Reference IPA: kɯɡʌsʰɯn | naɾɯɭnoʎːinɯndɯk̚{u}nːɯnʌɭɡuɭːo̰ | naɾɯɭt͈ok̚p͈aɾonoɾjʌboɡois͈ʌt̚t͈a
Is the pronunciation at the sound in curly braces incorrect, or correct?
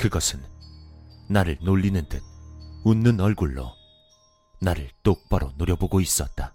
correct